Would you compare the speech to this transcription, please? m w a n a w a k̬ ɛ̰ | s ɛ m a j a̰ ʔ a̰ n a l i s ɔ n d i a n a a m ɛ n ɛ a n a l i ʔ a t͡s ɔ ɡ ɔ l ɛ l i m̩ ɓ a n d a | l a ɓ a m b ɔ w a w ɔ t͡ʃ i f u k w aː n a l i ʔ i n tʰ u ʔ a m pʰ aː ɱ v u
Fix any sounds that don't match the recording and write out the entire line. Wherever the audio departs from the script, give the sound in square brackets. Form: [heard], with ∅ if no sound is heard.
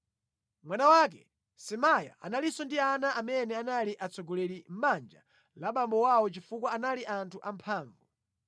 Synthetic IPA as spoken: m w a n a w a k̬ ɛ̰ | s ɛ m a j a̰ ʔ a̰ n a l i s ɔ n d i a n a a m ɛ n ɛ a n a l i ʔ a t͡s ɔ ɡ ɔ l ɛ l i m̩ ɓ a n [d͡ʒ] a | l a ɓ a m b ɔ w a w ɔ t͡ʃ i f u k w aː n a l i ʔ [a] n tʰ u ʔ a m pʰ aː ɱ v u

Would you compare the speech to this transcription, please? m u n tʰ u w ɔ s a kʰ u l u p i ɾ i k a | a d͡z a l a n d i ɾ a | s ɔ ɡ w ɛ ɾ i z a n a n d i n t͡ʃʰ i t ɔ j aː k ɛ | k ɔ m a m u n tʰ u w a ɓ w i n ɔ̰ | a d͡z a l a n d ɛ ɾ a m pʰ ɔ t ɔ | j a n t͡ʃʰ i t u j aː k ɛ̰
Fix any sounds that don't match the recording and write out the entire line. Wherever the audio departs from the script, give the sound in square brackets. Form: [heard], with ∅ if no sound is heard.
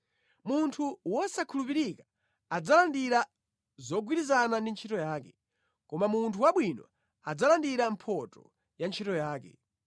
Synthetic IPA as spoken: m u n tʰ u w ɔ s a kʰ u l u p i ɾ i k a | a d͡z a l a n d i ɾ a | [z] ɔ ɡ w [i] ɾ i z a n a n d i n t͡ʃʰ i t ɔ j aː k ɛ | k ɔ m a m u n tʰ u w a ɓ w i n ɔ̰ | a d͡z a l a n d [i] ɾ a m pʰ ɔ t ɔ | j a n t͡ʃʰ i t [ɔ] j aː k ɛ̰

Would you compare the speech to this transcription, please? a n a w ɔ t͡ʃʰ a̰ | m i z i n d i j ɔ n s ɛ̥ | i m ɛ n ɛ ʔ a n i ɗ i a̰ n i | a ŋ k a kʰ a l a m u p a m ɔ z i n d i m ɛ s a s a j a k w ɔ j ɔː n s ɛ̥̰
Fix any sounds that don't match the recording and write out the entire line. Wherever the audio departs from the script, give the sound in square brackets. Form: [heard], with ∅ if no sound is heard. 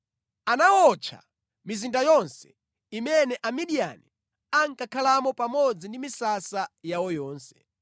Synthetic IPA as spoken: a n a w ɔ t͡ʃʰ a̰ | m i z i n d [a] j ɔ n s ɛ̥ | i m ɛ n ɛ ʔ a [m] i ɗ i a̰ n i | a ŋ k a kʰ a l a m [ɔ] p a m ɔ [d͡z] i n d i m [i] s a s a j a [∅] w ɔ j ɔː n s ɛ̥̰

